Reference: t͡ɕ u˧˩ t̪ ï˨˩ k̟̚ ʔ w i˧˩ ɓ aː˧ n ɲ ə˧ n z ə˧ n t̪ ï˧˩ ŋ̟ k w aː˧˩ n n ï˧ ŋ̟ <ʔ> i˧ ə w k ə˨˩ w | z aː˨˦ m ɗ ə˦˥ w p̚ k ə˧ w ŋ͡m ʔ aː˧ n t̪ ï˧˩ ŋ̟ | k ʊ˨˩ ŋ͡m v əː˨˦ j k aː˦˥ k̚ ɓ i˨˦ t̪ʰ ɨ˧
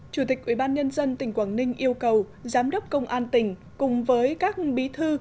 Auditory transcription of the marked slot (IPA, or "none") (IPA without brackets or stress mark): ʔ